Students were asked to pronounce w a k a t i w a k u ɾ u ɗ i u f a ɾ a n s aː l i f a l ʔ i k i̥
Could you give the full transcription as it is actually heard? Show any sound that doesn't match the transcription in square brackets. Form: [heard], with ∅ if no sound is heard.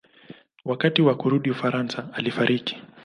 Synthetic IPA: w a k a t i w a k u ɾ u ɗ i u f a ɾ a n s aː l i f a [ɾ] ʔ i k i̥